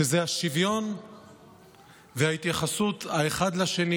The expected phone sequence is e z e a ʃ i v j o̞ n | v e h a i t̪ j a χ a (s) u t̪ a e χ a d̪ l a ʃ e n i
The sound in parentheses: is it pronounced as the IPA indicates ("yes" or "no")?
yes